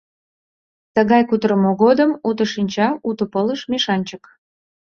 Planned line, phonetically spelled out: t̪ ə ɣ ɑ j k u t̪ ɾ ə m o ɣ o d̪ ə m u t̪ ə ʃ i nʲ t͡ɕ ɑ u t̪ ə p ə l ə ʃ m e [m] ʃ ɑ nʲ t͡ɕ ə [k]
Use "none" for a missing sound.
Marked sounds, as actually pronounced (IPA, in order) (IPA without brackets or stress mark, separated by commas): none, k